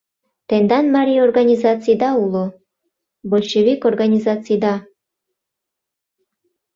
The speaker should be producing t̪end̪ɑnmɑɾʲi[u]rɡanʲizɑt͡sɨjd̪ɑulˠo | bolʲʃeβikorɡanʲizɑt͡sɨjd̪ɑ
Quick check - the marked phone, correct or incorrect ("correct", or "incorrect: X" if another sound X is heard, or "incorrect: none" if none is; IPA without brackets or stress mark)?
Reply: incorrect: o